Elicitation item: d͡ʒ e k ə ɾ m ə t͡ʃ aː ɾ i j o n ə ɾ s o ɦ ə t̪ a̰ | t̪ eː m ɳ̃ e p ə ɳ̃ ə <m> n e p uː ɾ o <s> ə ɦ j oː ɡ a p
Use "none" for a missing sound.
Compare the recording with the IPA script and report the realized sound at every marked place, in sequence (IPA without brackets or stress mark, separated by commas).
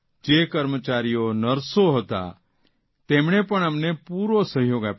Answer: m, s